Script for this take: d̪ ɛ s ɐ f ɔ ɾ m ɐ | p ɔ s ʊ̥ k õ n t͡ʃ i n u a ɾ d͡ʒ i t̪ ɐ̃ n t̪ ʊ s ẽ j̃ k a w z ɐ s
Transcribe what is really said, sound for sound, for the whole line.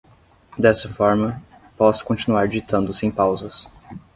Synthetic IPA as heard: d̪ ɛ s ɐ f ɔ ɾ m ɐ | p ɔ s ʊ̥ k õ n t͡ʃ i n u a ɾ d͡ʒ i t̪ ɐ̃ n d̪ ʊ s ẽ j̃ p a w z ɐ s

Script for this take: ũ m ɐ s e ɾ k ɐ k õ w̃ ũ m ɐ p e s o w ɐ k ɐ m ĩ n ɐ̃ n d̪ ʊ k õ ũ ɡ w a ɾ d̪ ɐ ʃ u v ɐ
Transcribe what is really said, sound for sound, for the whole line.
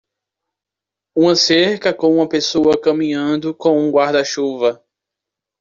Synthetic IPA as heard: ũ m ɐ s e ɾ k ɐ k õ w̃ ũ m ɐ p e s o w ɐ k ɐ m ĩ ɲ ɐ̃ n d̪ ʊ k õ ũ ɡ w a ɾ d̪ ɐ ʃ u v ɐ

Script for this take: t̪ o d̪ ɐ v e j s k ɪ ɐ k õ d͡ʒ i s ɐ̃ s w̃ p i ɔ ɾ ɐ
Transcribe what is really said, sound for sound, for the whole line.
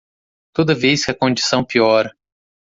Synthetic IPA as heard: t̪ o d̪ ɐ v e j s k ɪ ɐ k õ d͡ʒ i s ɐ̃ w̃ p i ɔ ɾ ɐ

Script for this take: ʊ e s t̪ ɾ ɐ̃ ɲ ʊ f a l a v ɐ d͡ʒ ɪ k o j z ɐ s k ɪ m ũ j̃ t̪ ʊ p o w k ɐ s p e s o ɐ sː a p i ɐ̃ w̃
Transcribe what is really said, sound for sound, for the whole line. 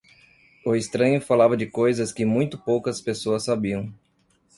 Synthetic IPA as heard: ʊ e s t̪ ɾ ɐ̃ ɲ ʊ f a l a v ɐ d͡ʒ ɪ k o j z ɐ s k ɪ m ũ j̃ t̪ ʊ p o w k ɐ s p e s o ɐ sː a b i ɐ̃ w̃

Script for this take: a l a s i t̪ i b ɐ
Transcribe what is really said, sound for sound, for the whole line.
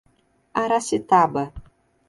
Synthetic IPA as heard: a ɾ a s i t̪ a b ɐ

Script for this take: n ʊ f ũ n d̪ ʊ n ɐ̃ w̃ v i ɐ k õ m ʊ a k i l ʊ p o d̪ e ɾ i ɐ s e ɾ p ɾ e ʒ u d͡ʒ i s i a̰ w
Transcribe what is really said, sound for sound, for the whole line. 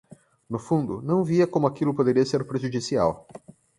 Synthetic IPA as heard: n ʊ f ũ n d̪ ʊ n ɐ̃ w̃ v i ɐ k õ m ʊ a k i l ʊ p o d̪ e ɾ i ɐ s e ɾ p ɾ e ʒ u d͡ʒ i s i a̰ w

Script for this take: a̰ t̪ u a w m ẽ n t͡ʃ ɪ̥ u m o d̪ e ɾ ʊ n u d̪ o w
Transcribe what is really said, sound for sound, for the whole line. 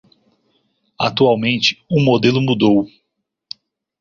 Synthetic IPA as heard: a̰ t̪ u a w m ẽ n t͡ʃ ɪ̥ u m o d̪ e l ʊ m u d̪ o w

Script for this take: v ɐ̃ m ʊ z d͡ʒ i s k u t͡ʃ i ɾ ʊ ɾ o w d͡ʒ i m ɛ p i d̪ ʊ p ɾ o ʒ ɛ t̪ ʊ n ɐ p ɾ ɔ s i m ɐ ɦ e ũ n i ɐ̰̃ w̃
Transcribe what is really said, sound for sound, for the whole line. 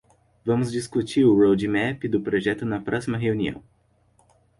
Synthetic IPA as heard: v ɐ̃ m ʊ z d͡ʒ i s k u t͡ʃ i ɾ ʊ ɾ o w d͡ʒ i m ɛ p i d̪ ʊ p ɾ o ʒ ɛ t̪ ʊ n ɐ p ɾ ɔ s i m ɐ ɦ e u n i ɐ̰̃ w̃

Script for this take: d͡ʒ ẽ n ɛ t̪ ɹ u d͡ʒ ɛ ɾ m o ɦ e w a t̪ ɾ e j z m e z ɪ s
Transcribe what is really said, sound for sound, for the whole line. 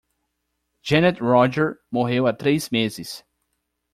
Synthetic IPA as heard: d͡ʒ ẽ n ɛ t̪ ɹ ɔ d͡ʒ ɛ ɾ m o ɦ e w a t̪ ɾ e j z m e z ɪ s

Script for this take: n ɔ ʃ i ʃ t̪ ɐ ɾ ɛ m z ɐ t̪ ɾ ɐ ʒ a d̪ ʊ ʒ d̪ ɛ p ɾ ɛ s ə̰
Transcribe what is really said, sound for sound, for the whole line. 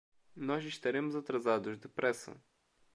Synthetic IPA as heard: n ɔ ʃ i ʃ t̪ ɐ ɾ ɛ m z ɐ t̪ ɾ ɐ z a d̪ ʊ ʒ d̪ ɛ p ɾ ɛ s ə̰

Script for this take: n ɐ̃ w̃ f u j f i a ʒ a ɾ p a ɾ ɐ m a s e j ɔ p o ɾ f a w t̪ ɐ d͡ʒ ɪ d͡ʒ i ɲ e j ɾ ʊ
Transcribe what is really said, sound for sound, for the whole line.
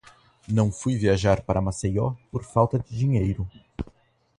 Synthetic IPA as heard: n ɐ̃ w̃ f u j v i a ʒ a ɾ p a ɾ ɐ m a s e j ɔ p o ɾ f a w t̪ ɐ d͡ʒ ɪ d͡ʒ i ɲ e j ɾ ʊ

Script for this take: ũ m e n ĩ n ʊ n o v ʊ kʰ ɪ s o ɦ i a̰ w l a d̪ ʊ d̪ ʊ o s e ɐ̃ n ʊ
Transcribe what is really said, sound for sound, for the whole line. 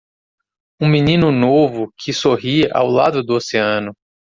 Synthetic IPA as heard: ũ m i n ĩ n ʊ n o v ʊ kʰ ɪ s o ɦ i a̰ w l a d̪ ʊ d̪ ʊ o s e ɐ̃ n ʊ

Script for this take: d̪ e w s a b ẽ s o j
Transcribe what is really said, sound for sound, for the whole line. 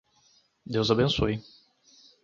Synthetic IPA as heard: d̪ e w z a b ẽ s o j

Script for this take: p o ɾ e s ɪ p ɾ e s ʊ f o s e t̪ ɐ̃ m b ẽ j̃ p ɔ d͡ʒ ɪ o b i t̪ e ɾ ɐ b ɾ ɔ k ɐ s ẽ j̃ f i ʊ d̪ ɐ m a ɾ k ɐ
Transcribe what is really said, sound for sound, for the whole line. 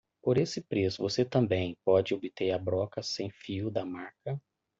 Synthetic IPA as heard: p o ɾ e s ɪ p ɾ e s ʊ v o s e t̪ ɐ̃ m b ẽ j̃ p ɔ d͡ʒ ɪ o b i t̪ e ɾ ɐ b ɾ ɔ k ɐ s ẽ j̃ f i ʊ d̪ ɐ m a ɾ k ɐ

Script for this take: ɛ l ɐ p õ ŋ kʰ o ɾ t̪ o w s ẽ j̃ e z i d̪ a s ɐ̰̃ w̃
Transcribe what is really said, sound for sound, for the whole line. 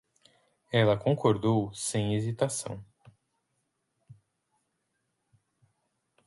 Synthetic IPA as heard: ɛ l ɐ k õ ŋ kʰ o ɾ d̪ o w s ẽ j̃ e z i t̪ a s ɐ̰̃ w̃

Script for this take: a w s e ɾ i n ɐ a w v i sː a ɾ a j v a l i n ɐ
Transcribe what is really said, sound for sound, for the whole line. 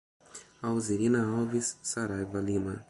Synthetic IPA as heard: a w z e ɾ i n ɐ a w v i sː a ɾ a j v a l i m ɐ

